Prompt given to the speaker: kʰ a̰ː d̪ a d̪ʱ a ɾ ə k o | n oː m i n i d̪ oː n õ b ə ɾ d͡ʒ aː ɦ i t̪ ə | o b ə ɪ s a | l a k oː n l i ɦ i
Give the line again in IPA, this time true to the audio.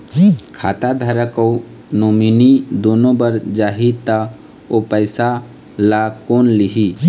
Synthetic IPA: kʰ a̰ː t̪ a d̪ʱ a ɾ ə k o | n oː m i n i d̪ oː n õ b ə ɾ d͡ʒ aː ɦ i t̪ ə | o p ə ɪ s a | l a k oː n l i ɦ i

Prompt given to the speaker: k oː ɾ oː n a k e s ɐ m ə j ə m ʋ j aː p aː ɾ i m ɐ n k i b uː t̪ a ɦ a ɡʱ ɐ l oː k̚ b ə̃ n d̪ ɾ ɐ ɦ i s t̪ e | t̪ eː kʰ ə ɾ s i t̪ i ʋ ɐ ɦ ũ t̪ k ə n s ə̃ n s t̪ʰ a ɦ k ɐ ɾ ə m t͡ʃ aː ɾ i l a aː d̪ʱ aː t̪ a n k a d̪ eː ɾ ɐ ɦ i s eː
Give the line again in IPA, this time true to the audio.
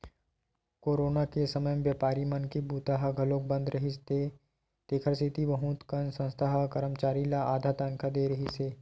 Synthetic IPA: k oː ɾ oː n a k e s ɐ m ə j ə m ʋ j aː p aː ɾ i m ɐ n k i b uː t̪ a ɦ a ɡʱ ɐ l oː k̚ b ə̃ n d̪ ɾ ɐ ɦ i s t̪ e | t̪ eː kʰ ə ɾ s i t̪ i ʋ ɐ ɦ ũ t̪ k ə n s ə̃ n s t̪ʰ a ɦ k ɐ ɾ ə m t͡ʃ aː ɾ i l a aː d̪ʱ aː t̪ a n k a d̪ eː ɾ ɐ ɦ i s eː

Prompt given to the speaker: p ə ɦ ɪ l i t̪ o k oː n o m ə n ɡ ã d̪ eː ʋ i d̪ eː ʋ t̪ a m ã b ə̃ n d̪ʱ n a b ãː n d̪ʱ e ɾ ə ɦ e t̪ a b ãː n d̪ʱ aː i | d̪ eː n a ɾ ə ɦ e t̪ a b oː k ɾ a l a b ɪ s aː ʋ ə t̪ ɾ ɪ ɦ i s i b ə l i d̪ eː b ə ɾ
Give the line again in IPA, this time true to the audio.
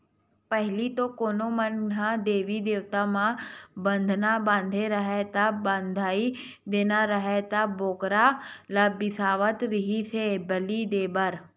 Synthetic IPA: p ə ɦ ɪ l i t̪ o k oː n o m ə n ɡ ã d̪ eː ʋ i d̪ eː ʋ t̪ a m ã b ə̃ n d̪ʱ n a b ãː n d̪ʱ e ɾ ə ɦ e t̪ a b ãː n d̪ʱ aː i | d̪ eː n a ɾ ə ɦ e t̪ a b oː k ɾ a l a b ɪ s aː ʋ ə t̪ ɾ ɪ ɦ i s e b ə l i d̪ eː b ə ɾ

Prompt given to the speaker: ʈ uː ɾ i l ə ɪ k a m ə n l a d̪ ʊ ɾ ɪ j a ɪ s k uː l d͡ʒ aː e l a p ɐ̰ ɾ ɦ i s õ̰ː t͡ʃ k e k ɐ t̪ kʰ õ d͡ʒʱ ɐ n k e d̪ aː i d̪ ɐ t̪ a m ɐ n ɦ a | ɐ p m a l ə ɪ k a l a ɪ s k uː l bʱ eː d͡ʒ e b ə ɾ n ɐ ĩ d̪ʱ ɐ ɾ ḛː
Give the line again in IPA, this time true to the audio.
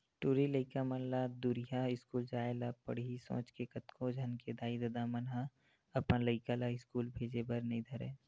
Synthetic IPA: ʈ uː ɾ i l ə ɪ k a m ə n l a d̪ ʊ ɾ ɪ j a ɪ s k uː l d͡ʒ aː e l a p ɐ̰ ɽ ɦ i s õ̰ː t͡ʃ k e k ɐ t̪ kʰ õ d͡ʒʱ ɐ n k e d̪ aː i d̪ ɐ d̪ a m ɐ n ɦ a | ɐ p n a l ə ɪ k a l a ɪ s k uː l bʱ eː d͡ʒ e b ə ɾ n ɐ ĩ d̪ʱ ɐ ɾ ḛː

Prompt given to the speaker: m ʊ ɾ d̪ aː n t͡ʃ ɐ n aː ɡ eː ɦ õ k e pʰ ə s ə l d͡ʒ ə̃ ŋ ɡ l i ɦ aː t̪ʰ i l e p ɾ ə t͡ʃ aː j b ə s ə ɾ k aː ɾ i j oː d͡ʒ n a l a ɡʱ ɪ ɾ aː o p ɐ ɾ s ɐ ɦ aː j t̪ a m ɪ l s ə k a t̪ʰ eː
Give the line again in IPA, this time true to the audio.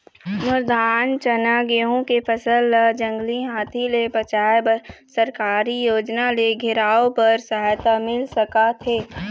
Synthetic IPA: m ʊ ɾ d̪ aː n t͡ʃ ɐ n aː ɡ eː ɦ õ k e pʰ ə s ə l d͡ʒ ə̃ ŋ ɡ l i ɦ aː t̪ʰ i l e p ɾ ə t͡ʃ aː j b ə s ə ɾ k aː ɾ i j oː d͡ʒ n a l e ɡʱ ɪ ɾ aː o p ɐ ɾ s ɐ ɦ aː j t̪ a m ɪ l s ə k a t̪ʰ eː

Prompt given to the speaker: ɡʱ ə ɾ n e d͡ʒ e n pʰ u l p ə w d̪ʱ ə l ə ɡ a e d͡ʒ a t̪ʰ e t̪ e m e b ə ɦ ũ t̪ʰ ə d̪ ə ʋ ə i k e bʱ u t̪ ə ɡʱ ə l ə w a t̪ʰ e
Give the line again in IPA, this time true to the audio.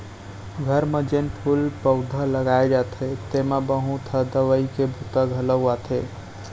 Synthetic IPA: ɡʱ ə ɾ m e d͡ʒ e n pʰ u l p ə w d̪ʱ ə l ə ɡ a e d͡ʒ a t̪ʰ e t̪ e m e b ə ɦ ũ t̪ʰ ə d̪ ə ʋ ə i k e bʱ u t̪ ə ɡʱ ə l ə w a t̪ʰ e

